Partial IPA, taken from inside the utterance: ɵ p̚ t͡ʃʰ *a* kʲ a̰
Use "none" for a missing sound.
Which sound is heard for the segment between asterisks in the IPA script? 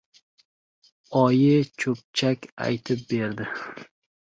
a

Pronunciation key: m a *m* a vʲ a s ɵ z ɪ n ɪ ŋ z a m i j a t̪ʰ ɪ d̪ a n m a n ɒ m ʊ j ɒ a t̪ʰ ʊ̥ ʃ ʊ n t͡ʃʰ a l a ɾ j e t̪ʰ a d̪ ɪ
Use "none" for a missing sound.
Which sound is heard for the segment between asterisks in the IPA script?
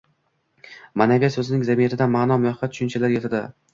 n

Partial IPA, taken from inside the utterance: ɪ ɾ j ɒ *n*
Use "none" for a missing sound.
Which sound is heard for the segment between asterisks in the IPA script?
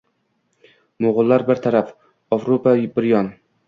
n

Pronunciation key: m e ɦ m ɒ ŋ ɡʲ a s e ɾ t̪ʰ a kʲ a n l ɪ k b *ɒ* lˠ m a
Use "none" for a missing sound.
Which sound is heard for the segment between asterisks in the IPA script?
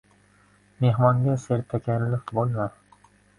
o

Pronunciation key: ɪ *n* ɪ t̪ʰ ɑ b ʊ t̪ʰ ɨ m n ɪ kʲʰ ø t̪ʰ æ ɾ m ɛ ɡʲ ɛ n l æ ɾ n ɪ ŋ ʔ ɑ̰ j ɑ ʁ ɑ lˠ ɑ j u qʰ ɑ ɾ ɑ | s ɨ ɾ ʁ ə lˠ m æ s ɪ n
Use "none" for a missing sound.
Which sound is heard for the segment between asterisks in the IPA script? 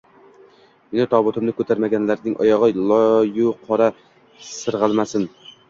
n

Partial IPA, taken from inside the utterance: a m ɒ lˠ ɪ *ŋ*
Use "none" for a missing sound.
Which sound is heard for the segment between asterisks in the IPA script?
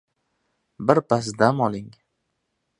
ŋ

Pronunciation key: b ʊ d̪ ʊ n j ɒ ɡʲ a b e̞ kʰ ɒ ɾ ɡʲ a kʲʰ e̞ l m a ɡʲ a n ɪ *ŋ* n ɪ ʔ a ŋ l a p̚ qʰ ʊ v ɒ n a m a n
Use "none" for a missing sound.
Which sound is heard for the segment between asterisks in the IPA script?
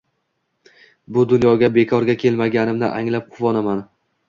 m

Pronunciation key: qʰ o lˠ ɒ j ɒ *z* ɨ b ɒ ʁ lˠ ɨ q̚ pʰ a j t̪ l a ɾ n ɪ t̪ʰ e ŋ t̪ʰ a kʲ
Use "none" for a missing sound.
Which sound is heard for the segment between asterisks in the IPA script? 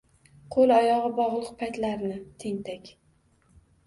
ʁ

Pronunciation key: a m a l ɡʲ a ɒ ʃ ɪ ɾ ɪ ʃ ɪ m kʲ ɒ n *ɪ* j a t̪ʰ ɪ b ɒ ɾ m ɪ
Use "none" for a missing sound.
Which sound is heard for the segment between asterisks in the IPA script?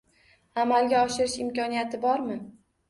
i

